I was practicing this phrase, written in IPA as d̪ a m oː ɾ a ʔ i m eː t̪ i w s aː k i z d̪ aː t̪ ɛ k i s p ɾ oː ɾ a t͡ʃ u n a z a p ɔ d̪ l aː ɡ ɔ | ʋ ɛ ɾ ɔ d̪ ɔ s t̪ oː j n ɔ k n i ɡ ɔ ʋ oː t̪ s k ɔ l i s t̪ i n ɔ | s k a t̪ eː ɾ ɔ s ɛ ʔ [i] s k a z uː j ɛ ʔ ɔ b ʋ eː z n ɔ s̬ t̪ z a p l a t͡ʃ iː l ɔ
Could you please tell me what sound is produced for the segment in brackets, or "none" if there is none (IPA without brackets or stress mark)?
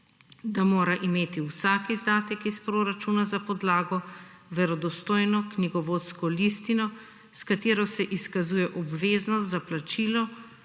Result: i